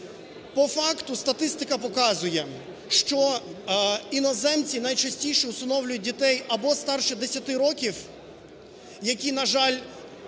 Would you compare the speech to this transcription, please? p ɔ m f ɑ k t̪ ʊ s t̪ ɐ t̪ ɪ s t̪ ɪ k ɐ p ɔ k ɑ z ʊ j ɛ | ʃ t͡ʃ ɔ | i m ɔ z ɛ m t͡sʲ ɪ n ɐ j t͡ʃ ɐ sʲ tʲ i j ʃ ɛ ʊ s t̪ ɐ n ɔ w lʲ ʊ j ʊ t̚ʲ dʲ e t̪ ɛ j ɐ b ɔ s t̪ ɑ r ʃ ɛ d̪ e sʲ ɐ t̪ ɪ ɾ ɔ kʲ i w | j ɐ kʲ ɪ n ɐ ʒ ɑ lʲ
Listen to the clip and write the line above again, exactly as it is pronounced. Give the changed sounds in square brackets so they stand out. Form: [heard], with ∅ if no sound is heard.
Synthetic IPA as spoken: p ɔ [∅] f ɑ k t̪ ʊ s t̪ ɐ t̪ ɪ s t̪ ɪ k ɐ p ɔ k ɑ z ʊ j ɛ | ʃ t͡ʃ ɔ | i [n] ɔ z ɛ m t͡sʲ [i] n ɐ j t͡ʃ ɐ sʲ tʲ i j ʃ ɛ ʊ s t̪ ɐ n ɔ w lʲ ʊ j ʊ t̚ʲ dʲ [i] t̪ ɛ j ɐ b ɔ s t̪ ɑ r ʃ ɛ d̪ e sʲ ɐ t̪ ɪ ɾ ɔ kʲ i w | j ɐ kʲ [i] n ɐ ʒ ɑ lʲ